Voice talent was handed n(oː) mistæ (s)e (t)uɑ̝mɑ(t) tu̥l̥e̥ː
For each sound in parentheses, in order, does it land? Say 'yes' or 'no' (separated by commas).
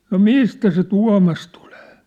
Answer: no, yes, yes, no